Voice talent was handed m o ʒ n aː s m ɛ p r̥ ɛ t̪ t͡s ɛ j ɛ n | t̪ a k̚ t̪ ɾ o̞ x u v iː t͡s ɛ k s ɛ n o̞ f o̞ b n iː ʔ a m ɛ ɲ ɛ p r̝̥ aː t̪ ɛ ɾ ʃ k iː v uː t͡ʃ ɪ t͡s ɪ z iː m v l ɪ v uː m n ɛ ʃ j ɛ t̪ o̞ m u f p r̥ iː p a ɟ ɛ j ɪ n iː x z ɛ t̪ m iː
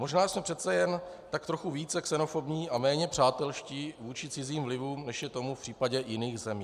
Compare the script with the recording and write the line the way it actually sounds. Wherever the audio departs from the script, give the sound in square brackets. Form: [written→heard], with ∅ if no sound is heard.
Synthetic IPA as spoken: m o ʒ n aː s m ɛ p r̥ ɛ t̪ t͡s ɛ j ɛ n | t̪ a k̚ t̪ ɾ o̞ x u v iː t͡s ɛ k s ɛ n o̞ f o̞ b [n→ɲ] iː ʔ a m [ɛ→ɛː] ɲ ɛ p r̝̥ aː t̪ ɛ [ɾ→l] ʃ [k→c] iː v uː t͡ʃ ɪ t͡s ɪ z iː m v l ɪ v uː m n ɛ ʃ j ɛ t̪ o̞ m u f p r̥ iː p a ɟ ɛ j ɪ n iː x z ɛ [t̪→∅] m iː